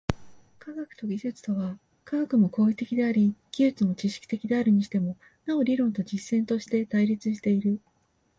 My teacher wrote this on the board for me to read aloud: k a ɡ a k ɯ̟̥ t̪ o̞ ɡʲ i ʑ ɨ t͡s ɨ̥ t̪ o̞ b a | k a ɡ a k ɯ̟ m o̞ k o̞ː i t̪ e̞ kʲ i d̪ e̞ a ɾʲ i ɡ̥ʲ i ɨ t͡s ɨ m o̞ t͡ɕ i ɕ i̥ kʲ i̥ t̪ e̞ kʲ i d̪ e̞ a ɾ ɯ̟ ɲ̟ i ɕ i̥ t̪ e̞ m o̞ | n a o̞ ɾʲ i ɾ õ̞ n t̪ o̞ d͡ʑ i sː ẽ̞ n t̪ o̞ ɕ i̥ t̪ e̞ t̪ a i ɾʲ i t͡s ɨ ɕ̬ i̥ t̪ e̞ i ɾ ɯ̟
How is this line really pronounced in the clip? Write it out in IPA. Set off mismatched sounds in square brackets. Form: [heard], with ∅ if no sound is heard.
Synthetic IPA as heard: k a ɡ a k ɯ̟̥ t̪ o̞ ɡʲ i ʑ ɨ t͡s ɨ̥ t̪ o̞ [β] a | k a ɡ a k ɯ̟ m o̞ k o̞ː i t̪ e̞ kʲ i d̪ e̞ a ɾʲ i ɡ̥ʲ i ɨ t͡s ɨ m o̞ t͡ɕ i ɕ i̥ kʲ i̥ t̪ e̞ kʲ i d̪ e̞ a ɾ ɯ̟ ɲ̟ i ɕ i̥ t̪ e̞ m o̞ | n a o̞ ɾʲ i ɾ õ̞ n t̪ o̞ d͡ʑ i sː ẽ̞ n t̪ o̞ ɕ i̥ t̪ e̞ t̪ a i ɾʲ i t͡s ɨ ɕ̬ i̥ t̪ e̞ i ɾ ɯ̟

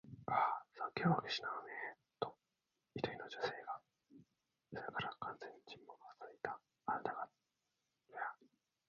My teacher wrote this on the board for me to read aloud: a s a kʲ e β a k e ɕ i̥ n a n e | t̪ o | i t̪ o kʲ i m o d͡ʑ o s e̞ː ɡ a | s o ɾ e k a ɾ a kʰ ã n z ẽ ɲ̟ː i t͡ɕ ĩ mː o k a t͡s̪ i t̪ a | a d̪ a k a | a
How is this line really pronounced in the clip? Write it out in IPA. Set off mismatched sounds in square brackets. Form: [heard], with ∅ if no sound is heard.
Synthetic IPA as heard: a s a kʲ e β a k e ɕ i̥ n a n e | t̪ o | i t̪ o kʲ i [n] o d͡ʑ o s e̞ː ɡ a | s o ɾ e k a ɾ a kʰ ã n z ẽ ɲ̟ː i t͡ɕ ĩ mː o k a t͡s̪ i t̪ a | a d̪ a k a | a

